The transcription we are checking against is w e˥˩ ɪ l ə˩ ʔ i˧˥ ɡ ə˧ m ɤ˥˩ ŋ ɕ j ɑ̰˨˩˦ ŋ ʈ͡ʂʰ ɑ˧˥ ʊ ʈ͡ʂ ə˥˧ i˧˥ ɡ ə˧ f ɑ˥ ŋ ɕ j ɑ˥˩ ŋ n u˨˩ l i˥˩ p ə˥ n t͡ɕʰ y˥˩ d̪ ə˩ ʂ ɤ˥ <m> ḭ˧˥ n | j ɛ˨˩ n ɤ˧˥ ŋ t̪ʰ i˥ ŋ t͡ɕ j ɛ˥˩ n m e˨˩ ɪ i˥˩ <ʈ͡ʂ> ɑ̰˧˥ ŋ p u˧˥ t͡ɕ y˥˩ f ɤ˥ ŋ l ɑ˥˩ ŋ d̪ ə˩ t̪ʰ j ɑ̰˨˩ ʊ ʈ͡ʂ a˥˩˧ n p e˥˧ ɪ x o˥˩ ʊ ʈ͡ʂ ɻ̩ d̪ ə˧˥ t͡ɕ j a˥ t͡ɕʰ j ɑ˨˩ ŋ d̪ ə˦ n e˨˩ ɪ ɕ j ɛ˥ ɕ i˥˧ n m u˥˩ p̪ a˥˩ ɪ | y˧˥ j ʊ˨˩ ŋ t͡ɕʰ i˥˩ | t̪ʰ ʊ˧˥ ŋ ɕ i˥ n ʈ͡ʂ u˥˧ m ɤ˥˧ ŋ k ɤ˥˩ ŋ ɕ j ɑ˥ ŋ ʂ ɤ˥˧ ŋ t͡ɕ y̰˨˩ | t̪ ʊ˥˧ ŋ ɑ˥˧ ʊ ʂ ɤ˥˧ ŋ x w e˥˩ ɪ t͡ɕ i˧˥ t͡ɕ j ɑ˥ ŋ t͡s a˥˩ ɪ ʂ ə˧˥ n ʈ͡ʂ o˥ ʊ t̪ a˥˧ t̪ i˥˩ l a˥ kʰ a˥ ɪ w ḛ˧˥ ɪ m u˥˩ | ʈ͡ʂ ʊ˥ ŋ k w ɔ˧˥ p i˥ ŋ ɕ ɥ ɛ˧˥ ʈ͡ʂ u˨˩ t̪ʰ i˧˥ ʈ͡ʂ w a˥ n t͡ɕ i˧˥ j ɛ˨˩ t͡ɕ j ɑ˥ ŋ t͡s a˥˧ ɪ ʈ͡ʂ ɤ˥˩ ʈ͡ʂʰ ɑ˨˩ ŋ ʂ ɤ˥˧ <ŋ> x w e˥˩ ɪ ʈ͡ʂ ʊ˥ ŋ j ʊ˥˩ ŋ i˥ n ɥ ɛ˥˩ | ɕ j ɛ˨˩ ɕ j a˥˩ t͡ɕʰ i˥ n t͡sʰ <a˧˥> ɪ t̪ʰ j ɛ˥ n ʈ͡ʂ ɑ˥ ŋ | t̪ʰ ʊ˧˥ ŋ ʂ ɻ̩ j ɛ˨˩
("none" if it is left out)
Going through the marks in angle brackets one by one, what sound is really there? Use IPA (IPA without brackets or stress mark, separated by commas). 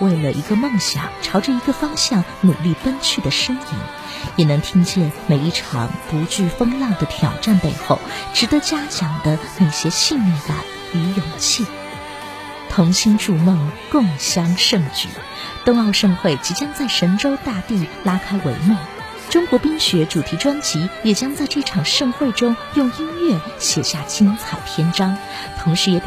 ŋ, ʈ͡ʂʰ, ŋ, a˨˩